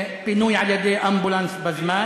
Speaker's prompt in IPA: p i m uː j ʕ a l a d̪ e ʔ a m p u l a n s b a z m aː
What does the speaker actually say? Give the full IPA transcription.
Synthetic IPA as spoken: p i n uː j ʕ a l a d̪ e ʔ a m b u l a n s b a z m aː